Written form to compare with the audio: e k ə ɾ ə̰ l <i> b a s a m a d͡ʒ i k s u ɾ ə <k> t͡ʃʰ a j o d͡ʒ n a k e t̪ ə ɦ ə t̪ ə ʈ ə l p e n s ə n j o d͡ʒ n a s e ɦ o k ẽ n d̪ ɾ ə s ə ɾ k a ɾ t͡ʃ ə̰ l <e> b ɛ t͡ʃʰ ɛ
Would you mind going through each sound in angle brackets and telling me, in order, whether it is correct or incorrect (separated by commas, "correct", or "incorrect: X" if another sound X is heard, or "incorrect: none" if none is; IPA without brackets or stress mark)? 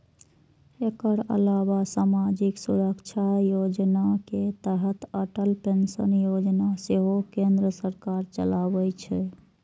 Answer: incorrect: a, correct, incorrect: a